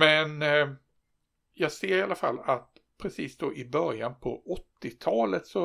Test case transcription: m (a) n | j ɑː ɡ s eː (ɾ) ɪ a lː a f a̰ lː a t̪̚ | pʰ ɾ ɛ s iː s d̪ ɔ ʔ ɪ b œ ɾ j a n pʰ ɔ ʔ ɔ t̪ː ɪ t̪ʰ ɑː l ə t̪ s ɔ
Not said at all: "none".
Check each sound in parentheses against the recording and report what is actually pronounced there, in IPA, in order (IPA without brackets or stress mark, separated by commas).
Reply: ɛ, ɾ